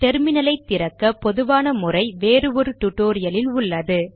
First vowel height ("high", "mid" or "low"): mid